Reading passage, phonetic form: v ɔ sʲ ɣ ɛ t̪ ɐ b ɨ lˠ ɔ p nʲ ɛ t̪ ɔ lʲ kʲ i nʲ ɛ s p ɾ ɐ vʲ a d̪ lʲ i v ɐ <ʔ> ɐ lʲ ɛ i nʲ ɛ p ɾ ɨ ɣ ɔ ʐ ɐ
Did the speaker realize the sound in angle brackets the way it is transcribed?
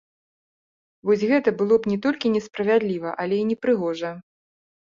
yes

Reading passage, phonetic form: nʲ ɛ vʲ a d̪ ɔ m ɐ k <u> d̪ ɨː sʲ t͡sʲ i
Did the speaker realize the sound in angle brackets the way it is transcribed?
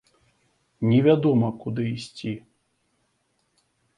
yes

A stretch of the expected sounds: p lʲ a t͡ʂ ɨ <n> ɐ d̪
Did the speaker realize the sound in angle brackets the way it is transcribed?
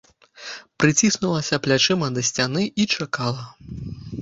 no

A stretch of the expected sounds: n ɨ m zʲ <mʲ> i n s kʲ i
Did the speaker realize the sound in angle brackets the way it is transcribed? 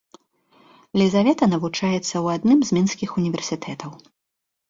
yes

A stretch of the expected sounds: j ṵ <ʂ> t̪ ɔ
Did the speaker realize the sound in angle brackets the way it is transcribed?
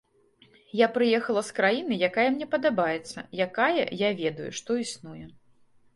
yes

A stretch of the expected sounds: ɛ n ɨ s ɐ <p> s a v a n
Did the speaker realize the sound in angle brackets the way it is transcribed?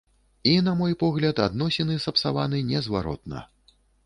yes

